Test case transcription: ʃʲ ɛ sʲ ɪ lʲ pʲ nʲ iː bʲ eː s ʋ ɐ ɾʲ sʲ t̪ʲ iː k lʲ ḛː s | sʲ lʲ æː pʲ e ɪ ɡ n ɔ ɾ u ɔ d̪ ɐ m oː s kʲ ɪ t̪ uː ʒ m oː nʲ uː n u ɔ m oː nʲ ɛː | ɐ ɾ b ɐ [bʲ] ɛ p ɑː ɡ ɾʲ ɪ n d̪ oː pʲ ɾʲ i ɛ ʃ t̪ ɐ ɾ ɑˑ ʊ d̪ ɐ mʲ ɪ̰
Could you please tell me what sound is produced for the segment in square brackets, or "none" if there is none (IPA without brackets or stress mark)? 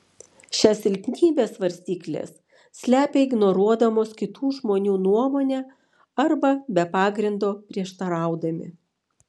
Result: bʲ